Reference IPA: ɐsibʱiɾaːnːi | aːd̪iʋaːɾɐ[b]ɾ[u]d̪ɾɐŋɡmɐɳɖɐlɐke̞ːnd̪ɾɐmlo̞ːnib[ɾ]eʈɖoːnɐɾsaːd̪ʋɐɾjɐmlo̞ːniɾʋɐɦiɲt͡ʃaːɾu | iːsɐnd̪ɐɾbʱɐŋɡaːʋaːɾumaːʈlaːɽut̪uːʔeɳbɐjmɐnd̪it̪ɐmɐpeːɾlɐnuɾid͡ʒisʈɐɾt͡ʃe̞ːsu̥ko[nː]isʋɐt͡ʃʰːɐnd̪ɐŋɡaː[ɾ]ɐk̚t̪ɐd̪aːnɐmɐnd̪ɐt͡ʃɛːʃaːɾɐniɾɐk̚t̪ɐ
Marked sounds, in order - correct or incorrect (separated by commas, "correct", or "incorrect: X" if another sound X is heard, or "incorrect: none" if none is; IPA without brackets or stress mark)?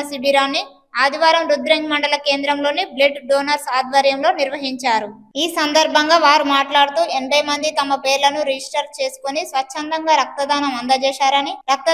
incorrect: m, correct, incorrect: l, incorrect: n, correct